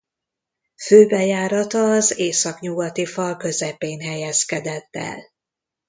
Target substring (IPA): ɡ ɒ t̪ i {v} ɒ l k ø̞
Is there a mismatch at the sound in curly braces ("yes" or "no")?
yes